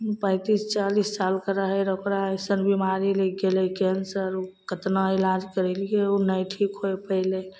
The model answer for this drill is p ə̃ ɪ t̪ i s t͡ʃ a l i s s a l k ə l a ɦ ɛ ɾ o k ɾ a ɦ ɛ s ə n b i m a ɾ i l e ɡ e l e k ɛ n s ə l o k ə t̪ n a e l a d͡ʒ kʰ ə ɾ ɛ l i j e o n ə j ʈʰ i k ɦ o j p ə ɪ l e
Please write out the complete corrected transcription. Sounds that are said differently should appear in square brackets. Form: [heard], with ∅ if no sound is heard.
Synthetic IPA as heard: p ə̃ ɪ t̪ i s t͡ʃ a l i s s a l k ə [ɾ] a ɦ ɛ ɾ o k ɾ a ɦ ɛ s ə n b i m a ɾ i l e ɡ e l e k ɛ n s ə [ɾ] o k ə t̪ n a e l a d͡ʒ [k] ə ɾ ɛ l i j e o n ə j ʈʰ i k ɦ o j p ə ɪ l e